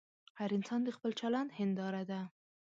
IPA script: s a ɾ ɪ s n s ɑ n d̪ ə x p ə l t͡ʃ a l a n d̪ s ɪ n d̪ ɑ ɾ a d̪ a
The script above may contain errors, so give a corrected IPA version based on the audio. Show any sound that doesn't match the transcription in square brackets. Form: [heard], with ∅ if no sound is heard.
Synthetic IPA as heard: [h] a ɾ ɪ [∅] n s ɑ n d̪ ə x p ə l t͡ʃ a l a n d̪ [h] ɪ n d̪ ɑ ɾ a d̪ a